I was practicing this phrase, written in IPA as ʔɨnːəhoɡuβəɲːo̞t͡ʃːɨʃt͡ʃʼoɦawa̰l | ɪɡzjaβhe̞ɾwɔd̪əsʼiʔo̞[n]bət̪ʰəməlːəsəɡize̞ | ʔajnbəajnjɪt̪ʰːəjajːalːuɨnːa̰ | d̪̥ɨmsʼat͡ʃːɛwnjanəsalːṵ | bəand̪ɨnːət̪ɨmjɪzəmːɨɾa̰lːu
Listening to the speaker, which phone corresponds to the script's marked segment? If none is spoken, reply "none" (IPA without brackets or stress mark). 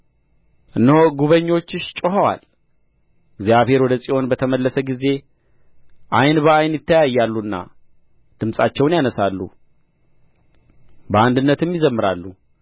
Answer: n